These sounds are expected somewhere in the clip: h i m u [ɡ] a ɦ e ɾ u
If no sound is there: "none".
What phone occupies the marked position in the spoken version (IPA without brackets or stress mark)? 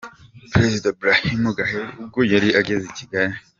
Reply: ɡ